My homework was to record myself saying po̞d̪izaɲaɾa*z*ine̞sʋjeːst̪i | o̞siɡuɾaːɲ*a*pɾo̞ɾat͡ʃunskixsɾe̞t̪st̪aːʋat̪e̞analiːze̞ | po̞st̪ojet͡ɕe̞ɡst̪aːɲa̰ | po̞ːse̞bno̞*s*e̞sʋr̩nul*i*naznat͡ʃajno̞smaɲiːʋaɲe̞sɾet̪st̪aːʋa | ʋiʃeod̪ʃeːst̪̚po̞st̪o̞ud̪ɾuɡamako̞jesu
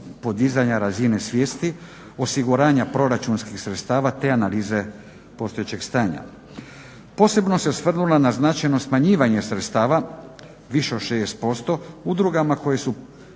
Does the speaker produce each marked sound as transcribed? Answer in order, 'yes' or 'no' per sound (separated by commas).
yes, yes, yes, no